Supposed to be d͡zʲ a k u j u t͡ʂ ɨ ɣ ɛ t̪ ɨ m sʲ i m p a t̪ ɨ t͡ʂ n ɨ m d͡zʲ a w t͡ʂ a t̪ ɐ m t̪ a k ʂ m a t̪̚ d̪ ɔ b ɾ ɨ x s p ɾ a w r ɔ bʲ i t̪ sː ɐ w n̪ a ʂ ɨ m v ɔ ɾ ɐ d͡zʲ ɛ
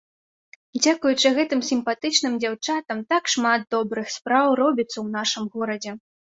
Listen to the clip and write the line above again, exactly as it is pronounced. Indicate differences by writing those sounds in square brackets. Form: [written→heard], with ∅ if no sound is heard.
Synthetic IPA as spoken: d͡zʲ a k u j u t͡ʂ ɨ ɣ ɛ t̪ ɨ m sʲ i m p a t̪ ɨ t͡ʂ n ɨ m d͡zʲ a w t͡ʂ a t̪ ɐ m t̪ a k ʂ m a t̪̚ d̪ ɔ b ɾ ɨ x s p ɾ a w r ɔ bʲ i t̪ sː ɐ w n̪ a ʂ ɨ m [v→ɣ] ɔ ɾ ɐ d͡zʲ ɛ